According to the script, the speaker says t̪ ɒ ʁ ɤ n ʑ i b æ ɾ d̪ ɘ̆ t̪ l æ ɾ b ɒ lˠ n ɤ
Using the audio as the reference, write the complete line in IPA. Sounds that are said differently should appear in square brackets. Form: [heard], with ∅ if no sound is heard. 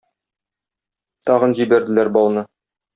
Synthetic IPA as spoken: t̪ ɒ ʁ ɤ n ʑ i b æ ɾ d̪ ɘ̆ [∅] l æ ɾ b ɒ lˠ n ɤ